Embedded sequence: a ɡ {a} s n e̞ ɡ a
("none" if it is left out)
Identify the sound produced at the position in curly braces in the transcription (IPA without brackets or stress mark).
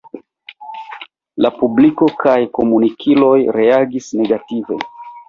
i